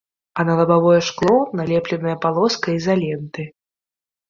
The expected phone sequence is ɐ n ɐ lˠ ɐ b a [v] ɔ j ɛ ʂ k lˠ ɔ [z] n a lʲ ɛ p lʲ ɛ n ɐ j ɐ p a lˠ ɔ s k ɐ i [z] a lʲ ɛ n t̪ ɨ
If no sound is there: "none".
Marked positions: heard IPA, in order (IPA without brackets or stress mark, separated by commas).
v, none, z